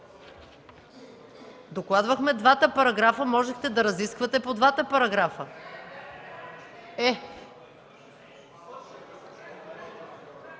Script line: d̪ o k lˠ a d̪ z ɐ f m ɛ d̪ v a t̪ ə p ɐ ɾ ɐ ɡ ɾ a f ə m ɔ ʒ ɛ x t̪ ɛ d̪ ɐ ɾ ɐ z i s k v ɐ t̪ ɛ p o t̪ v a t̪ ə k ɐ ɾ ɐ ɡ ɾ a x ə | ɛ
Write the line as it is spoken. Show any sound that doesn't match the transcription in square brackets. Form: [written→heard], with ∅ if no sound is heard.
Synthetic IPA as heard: d̪ o k lˠ a d̪ [z→v] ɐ [f→x] m ɛ d̪ v a t̪ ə p ɐ ɾ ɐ ɡ ɾ a f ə m ɔ ʒ ɛ x t̪ ɛ d̪ ɐ ɾ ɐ z i s k v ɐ t̪ ɛ p o [t̪→d̪] v a t̪ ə [k→p] ɐ ɾ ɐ ɡ ɾ a [x→f] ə | ɛ